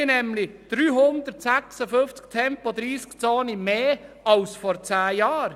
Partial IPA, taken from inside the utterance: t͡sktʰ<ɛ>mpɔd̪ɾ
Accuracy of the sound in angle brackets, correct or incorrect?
correct